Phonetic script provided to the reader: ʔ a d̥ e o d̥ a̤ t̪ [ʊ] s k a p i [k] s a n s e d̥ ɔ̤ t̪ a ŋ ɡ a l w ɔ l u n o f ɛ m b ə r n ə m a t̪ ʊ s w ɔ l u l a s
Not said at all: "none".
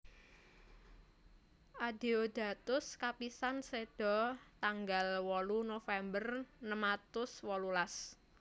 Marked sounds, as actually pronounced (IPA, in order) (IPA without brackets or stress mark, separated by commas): ʊ, none